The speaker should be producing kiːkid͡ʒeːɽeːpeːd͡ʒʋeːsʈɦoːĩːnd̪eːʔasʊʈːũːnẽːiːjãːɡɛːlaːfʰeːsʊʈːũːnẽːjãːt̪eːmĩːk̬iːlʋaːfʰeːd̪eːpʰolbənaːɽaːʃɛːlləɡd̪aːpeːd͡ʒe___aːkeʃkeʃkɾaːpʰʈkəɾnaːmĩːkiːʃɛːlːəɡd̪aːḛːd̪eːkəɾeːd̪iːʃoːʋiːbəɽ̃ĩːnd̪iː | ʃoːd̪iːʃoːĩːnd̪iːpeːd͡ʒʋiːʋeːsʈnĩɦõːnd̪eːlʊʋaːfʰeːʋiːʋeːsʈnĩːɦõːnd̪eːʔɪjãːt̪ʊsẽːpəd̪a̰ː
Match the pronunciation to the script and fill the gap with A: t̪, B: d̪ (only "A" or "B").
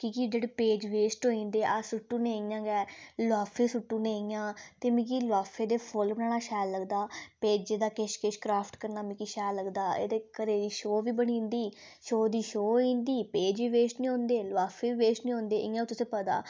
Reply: B